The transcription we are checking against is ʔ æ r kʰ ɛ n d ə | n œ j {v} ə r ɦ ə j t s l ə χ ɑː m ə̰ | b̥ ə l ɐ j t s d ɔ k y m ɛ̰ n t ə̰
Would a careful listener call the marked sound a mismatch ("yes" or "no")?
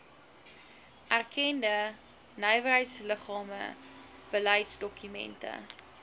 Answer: no